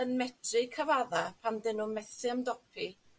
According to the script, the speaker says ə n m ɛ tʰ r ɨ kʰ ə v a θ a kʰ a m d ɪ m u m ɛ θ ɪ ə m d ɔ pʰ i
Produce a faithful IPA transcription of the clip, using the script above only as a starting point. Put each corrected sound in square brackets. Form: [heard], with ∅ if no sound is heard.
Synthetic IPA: ə n m ɛ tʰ r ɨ kʰ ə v a [ð] a [pʰ] a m d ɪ [n] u m ɛ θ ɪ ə m d ɔ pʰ i